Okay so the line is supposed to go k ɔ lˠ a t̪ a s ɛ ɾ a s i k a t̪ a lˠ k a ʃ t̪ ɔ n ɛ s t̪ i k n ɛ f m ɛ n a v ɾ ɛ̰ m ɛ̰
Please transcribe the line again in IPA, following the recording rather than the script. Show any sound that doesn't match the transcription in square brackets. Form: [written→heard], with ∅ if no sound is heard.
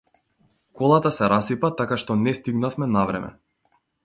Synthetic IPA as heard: k ɔ lˠ a t̪ a s ɛ ɾ a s i [k→p] a t̪ a [lˠ→∅] k a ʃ t̪ ɔ n ɛ s t̪ i [k→ɡ] n [ɛ→a] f m ɛ n a v ɾ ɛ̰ m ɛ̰